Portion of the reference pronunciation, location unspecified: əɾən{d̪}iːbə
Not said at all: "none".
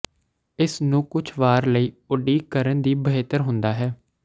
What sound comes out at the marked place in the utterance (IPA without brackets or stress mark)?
d̪